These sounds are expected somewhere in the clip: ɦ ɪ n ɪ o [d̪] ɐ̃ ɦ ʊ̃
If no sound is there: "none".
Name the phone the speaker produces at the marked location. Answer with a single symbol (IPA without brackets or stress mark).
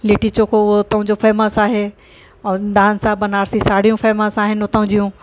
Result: t̪